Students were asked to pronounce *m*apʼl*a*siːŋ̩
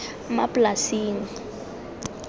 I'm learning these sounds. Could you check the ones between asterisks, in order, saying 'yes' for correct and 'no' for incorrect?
yes, yes

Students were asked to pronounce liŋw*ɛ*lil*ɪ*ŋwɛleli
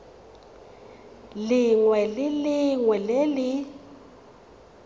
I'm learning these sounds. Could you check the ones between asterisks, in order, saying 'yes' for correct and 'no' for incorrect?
yes, no

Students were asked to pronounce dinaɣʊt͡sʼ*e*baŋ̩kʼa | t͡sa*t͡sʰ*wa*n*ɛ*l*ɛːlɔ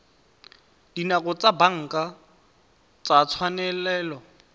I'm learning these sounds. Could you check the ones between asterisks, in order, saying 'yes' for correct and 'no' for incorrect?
no, yes, yes, yes

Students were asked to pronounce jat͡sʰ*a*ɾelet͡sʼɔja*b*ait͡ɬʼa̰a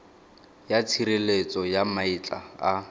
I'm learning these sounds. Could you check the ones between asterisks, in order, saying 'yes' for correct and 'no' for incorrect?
no, no

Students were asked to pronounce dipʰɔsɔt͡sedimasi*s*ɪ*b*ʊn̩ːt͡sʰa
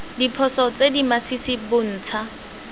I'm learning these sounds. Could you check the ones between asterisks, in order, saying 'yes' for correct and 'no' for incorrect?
yes, yes

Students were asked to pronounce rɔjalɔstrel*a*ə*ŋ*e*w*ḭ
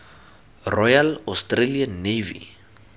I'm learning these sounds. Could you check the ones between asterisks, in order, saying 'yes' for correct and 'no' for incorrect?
no, no, no

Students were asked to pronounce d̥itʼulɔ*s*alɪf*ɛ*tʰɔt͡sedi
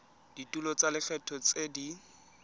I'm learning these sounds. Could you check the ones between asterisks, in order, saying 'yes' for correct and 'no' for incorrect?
no, yes

